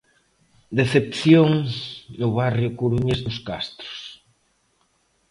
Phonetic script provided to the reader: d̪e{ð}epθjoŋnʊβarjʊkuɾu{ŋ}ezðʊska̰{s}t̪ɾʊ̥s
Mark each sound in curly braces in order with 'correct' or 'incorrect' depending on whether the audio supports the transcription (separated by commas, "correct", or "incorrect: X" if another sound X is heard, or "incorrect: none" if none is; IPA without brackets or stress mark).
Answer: incorrect: θ, incorrect: ɲ, correct